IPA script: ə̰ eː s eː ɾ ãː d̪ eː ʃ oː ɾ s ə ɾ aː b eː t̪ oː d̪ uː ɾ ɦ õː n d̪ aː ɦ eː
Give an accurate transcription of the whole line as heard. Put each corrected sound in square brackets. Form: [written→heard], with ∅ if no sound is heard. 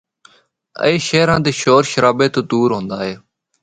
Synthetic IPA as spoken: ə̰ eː [s→ʃ] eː ɾ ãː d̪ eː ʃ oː ɾ [s→ʃ] ə ɾ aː b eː t̪ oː d̪ uː ɾ ɦ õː n d̪ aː ɦ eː